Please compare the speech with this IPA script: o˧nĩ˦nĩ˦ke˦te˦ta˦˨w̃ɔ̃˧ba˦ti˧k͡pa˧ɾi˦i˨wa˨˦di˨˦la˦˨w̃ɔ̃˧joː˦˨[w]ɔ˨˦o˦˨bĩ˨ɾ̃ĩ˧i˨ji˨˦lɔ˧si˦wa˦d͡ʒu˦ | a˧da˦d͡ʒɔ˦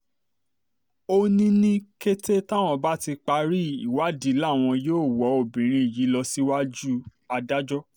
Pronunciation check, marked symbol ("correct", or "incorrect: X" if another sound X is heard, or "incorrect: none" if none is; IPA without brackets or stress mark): correct